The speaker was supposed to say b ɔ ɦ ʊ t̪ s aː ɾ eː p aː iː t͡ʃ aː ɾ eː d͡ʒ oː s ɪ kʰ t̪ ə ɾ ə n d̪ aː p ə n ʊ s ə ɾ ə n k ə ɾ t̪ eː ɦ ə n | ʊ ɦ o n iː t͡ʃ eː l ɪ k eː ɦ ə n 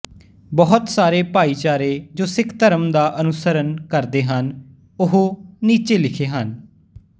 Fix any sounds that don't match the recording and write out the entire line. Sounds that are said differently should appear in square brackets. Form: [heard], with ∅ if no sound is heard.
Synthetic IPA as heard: b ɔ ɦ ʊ t̪ s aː ɾ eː p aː iː t͡ʃ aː ɾ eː d͡ʒ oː s ɪ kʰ t̪ ə ɾ ə [m] d̪ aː [ʔ] ə n ʊ s ə ɾ ə n k ə ɾ [d̪] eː ɦ ə n | ʊ ɦ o n iː t͡ʃ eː l ɪ [kʰ] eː ɦ ə n